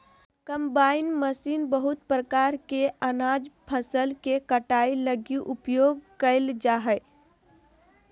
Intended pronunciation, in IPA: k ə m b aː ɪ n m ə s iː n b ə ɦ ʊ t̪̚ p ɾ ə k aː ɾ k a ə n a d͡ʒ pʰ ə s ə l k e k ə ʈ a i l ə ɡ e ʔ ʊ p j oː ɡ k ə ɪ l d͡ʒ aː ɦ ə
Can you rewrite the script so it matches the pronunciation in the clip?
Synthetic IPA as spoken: k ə m b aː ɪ n m ə s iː n b ə ɦ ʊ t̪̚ p ɾ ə k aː ɾ k e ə n a d͡ʒ pʰ ə s ə l k e k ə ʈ a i l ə ɡ i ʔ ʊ p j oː ɡ k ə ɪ l d͡ʒ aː ɦ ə